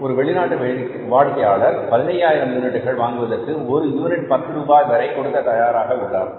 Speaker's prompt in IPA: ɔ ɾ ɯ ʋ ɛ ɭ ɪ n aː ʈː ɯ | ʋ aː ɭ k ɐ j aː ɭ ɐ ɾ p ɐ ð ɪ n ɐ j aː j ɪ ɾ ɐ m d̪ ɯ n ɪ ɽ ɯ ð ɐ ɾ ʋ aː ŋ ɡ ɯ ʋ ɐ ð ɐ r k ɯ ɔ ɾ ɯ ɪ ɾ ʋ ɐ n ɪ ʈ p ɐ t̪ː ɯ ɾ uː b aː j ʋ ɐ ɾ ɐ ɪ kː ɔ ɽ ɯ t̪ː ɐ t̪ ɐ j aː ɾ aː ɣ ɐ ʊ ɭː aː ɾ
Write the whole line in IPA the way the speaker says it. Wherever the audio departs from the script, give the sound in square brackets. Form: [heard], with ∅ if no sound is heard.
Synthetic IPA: ɔ ɾ ɯ ʋ ɛ ɭ ɪ n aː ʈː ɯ | ʋ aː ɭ k ɐ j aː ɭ ɐ ɾ p ɐ ð ɪ n ɐ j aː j ɪ ɾ ɐ m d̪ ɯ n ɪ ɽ ɯ [ɣ] ɐ [ɭ] ʋ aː ŋ ɡ ɯ ʋ ɐ ð ɐ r k ɯ ɔ ɾ ɯ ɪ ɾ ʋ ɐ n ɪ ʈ p ɐ t̪ː ɯ ɾ uː b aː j ʋ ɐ ɾ ɐ ɪ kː ɔ ɽ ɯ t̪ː ɐ t̪ ɐ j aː ɾ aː ɣ ɐ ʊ ɭː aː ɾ